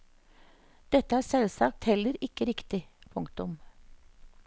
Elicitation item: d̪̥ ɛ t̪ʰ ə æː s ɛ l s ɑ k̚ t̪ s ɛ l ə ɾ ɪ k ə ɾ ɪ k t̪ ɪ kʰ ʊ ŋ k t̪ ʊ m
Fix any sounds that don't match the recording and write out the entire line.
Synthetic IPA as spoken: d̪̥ ɛ t̪ ə æː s ɛ l s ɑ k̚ t̪ h ɛ l ə ɾ ɪ k ə ɾ ɪ k t̪ ɪ pʰ ʊ ŋ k t̪ ʊ m